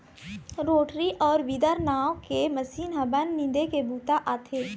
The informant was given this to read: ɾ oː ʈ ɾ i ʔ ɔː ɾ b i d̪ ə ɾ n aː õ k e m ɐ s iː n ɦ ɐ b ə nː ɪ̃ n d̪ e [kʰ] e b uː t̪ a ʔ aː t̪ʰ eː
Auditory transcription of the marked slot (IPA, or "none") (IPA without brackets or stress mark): k